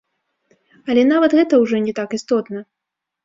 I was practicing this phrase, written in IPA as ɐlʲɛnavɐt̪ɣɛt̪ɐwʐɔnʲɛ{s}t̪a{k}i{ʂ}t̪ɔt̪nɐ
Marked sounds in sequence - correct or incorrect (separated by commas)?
incorrect, correct, incorrect